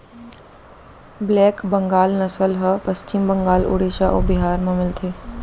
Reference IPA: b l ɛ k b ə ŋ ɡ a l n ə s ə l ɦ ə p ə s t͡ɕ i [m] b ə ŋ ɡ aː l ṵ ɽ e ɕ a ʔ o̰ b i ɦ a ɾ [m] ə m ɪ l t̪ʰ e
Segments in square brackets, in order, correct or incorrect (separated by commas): correct, correct